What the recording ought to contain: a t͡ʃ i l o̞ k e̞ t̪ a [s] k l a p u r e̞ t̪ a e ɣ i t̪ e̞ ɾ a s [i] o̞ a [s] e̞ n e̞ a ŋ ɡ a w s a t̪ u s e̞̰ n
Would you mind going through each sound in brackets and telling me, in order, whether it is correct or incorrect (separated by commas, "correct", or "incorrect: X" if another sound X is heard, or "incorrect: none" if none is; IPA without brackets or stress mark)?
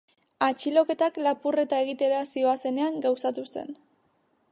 incorrect: none, correct, correct